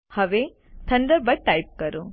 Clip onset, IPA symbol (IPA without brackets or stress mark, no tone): h